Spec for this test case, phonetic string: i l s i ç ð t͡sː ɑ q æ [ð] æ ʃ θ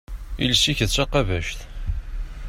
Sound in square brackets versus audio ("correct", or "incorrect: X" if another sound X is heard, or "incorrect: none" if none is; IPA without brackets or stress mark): incorrect: v